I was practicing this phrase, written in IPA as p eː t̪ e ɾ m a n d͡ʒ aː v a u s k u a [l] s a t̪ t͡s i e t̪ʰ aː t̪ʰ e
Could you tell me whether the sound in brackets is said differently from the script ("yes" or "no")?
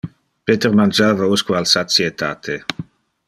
no